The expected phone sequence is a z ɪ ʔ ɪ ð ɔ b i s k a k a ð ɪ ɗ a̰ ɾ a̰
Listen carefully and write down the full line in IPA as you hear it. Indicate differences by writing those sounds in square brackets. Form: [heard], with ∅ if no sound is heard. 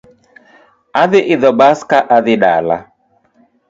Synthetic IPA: a [ð] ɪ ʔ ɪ ð ɔ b [a] s k a [ʔ] a ð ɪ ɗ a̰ [l] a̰